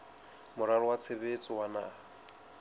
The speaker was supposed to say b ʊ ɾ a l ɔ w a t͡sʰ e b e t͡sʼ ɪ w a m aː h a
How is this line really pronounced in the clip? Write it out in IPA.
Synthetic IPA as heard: m ʊ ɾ a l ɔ w a t͡sʰ e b e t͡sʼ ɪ w a n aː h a